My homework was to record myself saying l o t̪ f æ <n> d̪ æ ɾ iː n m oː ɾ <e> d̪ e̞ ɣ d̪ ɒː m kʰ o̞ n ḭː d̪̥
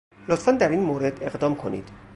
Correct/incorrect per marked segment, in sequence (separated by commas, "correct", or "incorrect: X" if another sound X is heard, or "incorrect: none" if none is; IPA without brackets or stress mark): correct, correct